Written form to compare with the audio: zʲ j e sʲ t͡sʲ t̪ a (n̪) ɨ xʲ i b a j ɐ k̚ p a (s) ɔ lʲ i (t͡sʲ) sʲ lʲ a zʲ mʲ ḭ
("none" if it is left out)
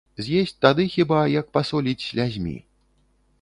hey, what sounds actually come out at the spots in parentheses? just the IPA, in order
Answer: d̪, s, t͡sʲ

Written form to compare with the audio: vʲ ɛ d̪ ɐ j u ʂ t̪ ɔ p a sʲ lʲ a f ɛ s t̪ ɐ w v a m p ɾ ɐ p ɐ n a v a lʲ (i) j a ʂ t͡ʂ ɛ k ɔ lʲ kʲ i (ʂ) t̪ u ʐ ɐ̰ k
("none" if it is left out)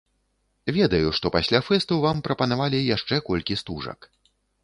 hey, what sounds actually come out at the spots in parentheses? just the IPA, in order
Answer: i, s

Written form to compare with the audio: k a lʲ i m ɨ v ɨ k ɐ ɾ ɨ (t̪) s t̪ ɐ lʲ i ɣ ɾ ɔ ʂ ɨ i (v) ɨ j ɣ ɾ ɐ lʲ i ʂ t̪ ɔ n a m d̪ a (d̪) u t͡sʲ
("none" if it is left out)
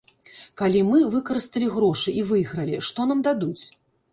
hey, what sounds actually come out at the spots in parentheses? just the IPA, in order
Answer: none, v, d̪

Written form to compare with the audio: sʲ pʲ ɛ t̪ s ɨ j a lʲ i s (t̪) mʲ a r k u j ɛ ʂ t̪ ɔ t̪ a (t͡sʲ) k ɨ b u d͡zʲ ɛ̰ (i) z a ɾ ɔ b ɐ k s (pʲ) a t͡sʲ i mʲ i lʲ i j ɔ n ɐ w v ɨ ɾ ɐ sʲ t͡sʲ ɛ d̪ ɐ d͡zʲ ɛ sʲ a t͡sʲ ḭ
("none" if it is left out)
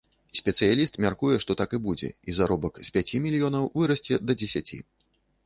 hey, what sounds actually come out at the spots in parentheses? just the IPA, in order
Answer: t̪, none, i, pʲ

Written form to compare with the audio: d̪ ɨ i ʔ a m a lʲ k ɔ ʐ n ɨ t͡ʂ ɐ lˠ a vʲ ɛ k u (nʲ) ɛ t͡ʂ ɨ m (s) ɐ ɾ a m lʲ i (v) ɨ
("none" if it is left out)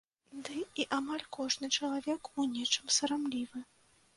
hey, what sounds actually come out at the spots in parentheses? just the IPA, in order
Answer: nʲ, s, v

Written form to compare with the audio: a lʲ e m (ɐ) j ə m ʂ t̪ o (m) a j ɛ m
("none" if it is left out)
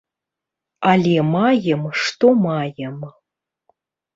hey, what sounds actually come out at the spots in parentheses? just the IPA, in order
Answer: a, m

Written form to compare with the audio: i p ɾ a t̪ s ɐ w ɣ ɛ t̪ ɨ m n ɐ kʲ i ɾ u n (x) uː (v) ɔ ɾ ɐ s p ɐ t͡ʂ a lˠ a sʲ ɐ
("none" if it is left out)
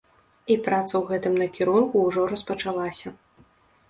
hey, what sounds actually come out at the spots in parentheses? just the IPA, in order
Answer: k, ʐ

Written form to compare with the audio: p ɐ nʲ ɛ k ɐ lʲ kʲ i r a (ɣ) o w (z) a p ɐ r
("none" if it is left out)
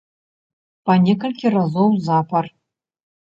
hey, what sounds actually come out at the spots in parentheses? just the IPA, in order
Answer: z, z

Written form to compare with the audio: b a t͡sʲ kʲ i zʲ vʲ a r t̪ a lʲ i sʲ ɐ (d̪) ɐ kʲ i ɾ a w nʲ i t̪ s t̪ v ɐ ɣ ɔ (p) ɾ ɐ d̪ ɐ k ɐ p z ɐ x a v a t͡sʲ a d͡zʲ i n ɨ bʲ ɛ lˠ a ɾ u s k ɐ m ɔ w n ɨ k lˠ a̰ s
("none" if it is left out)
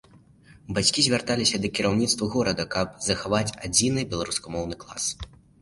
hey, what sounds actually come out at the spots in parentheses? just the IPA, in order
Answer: d̪, none

